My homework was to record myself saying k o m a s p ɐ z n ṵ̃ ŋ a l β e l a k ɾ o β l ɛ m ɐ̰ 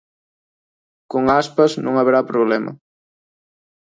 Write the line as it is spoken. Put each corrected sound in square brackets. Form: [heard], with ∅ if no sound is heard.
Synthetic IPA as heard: k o [ŋ] a s p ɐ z n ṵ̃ ŋ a [∅] β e [ɾ] a [p] ɾ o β l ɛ m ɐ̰